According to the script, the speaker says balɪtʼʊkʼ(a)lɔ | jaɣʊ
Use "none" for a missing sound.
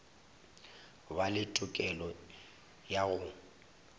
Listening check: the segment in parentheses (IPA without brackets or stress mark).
ɛ